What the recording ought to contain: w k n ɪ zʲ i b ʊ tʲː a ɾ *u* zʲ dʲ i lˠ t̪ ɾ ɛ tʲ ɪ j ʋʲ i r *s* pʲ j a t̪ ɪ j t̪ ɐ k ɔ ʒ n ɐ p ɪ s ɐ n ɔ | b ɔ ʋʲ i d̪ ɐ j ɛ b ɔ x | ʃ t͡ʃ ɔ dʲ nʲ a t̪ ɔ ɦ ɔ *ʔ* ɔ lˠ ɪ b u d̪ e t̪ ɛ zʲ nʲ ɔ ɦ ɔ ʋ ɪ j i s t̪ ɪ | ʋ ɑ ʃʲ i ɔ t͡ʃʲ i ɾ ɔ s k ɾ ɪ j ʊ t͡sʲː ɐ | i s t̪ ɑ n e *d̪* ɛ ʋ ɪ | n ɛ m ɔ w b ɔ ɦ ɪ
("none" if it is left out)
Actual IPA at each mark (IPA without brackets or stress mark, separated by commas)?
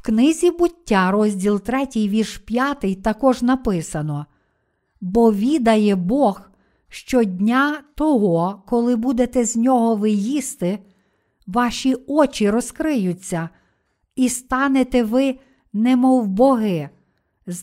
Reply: ɔ, ʃ, k, t̪